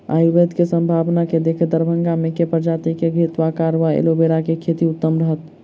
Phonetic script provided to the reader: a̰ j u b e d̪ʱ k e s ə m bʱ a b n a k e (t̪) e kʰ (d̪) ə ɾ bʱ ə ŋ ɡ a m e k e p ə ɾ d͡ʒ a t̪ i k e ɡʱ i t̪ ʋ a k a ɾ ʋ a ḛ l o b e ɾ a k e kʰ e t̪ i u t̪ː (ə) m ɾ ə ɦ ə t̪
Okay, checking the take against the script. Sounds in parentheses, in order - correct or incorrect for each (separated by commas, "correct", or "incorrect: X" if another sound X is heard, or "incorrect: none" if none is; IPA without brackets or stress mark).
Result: incorrect: d̪, correct, correct